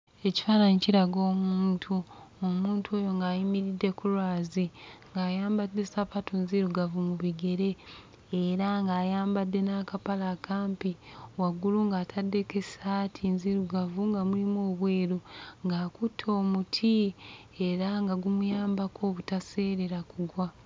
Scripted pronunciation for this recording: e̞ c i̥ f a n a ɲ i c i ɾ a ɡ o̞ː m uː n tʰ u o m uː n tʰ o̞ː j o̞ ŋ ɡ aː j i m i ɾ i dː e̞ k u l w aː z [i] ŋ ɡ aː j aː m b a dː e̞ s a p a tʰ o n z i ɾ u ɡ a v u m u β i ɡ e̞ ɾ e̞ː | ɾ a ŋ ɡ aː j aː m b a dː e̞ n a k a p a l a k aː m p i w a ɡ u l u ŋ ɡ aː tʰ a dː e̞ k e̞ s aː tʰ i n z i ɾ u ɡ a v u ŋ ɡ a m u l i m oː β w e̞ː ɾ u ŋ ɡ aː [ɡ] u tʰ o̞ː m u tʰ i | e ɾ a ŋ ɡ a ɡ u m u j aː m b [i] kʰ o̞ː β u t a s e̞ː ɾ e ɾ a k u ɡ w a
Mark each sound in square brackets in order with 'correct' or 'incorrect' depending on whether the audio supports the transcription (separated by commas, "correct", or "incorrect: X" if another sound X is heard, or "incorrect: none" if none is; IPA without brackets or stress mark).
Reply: correct, incorrect: k, incorrect: a